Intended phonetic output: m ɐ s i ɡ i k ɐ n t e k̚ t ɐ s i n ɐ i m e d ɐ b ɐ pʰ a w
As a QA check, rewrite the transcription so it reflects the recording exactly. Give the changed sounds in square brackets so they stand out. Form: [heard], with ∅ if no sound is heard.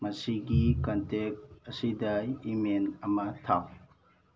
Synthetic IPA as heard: m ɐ s i ɡ i k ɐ n t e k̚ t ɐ s i [d] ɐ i m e [n] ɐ [m] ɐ [tʰ] a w